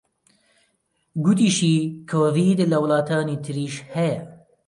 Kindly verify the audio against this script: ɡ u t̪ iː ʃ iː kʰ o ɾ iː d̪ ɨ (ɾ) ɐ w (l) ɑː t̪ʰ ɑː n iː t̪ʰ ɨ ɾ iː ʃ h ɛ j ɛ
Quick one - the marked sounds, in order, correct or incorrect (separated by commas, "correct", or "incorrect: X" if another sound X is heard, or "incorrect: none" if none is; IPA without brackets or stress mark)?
incorrect: l, correct